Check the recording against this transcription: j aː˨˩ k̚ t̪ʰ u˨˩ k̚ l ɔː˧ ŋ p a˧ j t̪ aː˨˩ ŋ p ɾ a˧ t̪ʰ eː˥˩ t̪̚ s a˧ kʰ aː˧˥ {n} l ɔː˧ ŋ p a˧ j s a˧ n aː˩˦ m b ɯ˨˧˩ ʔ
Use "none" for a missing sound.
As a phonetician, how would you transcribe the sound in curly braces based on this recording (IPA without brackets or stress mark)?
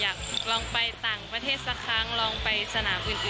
ŋ